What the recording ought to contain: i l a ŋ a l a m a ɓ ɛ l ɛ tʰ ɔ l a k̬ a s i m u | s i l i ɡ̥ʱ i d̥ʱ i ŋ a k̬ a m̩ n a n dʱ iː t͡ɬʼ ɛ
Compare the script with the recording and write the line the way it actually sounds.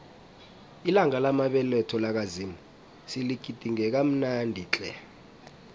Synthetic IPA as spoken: i l a ŋ a l a m a ɓ ɛ l ɛ tʰ ɔ l a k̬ a z i m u | s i l i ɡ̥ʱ i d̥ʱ i ŋ ɛ k̬ a m̩ n a n dʱ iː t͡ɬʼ ɛ